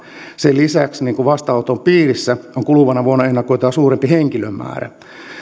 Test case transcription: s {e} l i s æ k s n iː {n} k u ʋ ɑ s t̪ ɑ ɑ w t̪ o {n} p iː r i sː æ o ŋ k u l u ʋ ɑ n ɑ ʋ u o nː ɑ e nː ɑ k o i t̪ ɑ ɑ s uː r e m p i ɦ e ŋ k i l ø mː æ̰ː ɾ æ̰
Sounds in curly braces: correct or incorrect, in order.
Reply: correct, incorrect: ŋ, incorrect: m

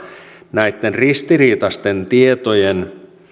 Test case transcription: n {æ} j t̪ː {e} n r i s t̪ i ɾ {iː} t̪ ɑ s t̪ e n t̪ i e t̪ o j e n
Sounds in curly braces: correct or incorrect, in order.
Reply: correct, correct, correct

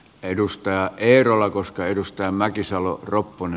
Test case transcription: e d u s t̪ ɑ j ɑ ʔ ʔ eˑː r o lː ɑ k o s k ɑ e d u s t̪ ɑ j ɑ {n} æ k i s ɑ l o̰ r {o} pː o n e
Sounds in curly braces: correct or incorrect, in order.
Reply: incorrect: m, correct

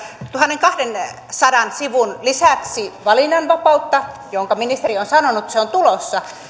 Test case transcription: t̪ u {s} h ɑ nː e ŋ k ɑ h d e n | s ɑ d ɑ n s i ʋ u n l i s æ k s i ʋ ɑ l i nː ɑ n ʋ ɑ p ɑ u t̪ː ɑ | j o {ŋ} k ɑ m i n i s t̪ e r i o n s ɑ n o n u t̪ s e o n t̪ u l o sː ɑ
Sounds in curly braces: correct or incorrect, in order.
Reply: incorrect: none, correct

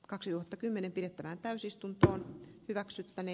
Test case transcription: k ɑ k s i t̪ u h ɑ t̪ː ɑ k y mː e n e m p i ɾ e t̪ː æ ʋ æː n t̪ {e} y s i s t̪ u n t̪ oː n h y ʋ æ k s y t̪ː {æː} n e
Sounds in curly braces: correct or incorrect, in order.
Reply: incorrect: æ, incorrect: æ

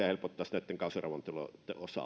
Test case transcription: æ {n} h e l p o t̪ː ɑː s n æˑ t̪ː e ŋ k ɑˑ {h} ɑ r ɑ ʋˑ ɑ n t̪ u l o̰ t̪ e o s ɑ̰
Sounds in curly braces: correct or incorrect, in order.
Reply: incorrect: none, incorrect: s

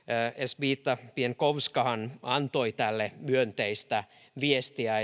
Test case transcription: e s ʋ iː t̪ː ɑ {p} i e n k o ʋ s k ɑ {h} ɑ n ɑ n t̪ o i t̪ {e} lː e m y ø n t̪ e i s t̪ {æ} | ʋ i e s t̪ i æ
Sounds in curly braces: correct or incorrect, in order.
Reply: correct, correct, incorrect: æ, correct

